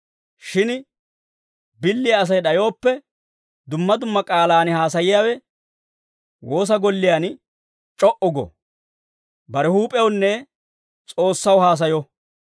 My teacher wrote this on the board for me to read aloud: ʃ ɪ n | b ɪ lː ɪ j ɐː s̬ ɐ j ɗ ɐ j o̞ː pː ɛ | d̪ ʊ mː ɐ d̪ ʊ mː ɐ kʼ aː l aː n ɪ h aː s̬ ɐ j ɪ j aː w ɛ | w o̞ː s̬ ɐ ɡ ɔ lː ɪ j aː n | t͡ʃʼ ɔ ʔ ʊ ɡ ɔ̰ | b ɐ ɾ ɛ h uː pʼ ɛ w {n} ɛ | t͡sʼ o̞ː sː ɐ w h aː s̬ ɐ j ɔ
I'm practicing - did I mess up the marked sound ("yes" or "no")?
yes